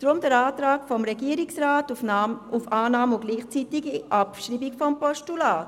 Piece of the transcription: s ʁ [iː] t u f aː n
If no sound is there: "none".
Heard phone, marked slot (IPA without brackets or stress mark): aː